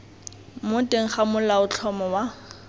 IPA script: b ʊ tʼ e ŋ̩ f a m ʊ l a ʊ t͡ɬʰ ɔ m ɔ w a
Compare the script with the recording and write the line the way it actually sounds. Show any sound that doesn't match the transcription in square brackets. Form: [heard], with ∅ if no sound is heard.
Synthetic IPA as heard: [m] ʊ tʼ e ŋ̩ [χ] a m ʊ l a ʊ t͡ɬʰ ɔ m ɔ w a